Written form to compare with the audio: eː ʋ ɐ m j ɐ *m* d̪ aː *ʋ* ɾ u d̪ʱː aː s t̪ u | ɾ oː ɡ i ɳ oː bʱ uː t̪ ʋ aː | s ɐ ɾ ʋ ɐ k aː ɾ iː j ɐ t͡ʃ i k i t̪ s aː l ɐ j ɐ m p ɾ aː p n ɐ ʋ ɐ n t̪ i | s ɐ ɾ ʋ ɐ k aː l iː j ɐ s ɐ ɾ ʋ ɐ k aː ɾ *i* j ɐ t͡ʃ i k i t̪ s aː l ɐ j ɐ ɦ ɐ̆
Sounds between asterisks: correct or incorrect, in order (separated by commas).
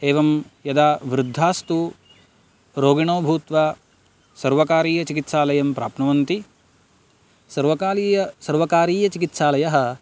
incorrect, correct, incorrect